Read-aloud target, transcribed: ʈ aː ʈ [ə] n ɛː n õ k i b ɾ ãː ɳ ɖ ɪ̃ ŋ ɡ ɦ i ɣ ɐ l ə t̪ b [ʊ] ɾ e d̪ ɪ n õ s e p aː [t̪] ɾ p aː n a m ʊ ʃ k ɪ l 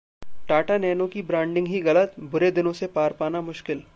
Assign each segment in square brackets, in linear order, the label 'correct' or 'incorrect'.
incorrect: a, correct, incorrect: none

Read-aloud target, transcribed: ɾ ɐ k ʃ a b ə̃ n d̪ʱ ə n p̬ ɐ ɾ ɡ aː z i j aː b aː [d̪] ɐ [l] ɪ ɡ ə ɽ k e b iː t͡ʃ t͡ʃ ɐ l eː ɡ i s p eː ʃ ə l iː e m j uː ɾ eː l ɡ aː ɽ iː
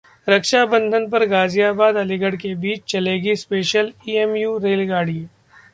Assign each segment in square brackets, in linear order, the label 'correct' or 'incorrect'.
correct, correct

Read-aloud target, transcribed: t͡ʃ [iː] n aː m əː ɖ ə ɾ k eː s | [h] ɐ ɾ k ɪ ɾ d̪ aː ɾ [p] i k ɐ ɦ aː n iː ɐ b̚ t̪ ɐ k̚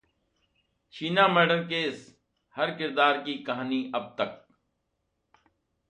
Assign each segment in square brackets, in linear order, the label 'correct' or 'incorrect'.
correct, correct, incorrect: k

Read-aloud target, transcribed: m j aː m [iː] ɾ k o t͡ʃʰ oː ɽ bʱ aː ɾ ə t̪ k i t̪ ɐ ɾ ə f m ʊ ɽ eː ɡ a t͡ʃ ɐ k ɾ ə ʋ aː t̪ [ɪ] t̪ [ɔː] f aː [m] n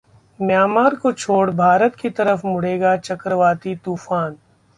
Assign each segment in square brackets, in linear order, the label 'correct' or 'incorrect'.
incorrect: aː, incorrect: i, incorrect: uː, incorrect: none

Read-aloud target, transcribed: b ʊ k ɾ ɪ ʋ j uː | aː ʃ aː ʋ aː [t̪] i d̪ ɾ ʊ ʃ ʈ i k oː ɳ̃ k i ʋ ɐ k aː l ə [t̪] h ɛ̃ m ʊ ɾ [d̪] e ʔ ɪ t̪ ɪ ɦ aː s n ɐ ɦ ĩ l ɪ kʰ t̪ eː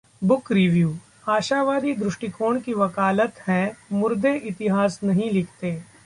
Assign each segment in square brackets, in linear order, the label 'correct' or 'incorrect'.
incorrect: d̪, correct, correct

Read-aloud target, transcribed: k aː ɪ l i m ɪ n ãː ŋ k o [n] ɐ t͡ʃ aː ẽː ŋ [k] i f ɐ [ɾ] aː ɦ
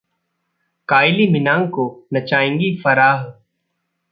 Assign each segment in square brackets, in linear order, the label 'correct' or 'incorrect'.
correct, incorrect: ɡ, correct

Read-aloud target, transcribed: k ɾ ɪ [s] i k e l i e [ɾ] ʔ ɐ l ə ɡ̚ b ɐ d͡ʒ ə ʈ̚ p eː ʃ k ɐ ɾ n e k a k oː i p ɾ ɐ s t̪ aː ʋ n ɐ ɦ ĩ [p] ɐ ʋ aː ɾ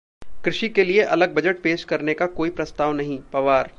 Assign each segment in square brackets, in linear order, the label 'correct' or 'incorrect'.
incorrect: ʃ, incorrect: none, correct

